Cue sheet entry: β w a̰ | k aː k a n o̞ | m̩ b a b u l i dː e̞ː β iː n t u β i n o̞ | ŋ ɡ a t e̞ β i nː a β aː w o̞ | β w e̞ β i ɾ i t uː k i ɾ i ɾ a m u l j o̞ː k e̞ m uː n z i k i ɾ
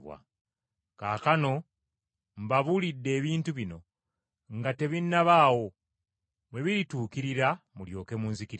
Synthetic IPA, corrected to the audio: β w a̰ | k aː k a n o̞ | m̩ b a β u l i dː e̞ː β iː n t u β i n o̞ | ŋ ɡ a t e̞ β i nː a β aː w o̞ | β w e̞ β i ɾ i t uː k i ɾ i ɾ a m u l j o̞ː k e̞ m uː n z i k i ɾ